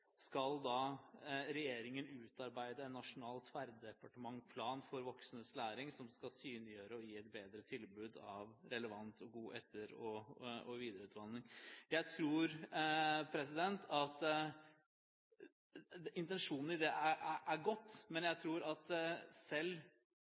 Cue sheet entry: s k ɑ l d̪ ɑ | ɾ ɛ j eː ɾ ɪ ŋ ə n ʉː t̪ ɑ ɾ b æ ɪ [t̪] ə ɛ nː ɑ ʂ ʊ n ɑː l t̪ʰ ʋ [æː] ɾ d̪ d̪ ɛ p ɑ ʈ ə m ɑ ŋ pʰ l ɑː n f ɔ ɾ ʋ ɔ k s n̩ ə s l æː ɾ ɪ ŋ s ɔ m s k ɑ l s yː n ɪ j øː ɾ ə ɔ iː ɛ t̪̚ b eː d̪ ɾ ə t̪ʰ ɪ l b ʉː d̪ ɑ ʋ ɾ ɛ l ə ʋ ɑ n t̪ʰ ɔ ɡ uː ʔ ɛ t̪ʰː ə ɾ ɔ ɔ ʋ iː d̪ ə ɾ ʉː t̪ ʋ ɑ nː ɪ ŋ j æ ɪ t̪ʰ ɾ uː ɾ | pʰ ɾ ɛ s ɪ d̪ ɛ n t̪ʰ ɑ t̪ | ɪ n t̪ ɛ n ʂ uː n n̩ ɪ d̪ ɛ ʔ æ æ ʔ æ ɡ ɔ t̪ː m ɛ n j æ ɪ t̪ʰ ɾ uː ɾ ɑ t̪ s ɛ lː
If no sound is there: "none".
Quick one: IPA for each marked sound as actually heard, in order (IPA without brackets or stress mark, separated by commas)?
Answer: d̪, æ